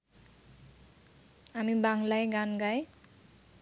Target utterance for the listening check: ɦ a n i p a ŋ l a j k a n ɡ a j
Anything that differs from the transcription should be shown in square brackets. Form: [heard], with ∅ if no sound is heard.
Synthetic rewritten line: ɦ a [m] i [b] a ŋ l a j [ɡ] a n ɡ a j